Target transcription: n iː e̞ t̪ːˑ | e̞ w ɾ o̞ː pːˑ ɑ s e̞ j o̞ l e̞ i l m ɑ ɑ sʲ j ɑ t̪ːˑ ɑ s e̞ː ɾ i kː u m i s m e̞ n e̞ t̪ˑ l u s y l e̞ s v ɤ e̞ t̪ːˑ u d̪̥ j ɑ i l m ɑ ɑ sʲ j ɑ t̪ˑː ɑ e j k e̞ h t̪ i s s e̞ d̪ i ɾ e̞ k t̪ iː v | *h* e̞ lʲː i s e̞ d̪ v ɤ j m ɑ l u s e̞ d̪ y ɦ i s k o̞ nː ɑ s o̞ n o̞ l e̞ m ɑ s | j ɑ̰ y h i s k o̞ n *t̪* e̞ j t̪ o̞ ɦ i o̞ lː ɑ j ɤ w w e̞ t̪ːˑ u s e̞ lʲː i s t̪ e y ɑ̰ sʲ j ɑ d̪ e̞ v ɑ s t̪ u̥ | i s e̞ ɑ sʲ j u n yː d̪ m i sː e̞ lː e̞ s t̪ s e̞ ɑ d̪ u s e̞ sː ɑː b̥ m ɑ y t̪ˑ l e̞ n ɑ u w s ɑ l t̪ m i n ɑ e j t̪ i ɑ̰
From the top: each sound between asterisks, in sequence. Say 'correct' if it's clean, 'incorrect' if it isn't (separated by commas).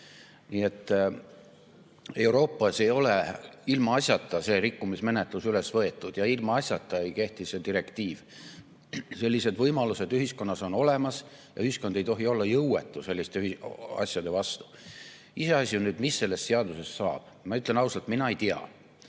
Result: incorrect, incorrect